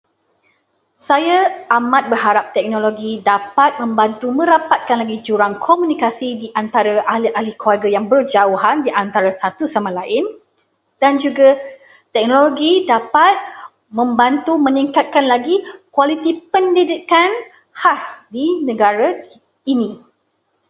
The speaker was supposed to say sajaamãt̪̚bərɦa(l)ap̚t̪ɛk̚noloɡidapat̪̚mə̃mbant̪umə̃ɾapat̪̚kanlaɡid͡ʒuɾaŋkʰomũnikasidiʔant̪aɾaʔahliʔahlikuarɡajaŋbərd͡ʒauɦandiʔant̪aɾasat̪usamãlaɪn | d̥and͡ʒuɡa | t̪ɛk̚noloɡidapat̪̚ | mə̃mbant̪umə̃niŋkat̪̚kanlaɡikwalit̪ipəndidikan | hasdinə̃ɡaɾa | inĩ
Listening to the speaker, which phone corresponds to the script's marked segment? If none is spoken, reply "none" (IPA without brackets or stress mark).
ɾ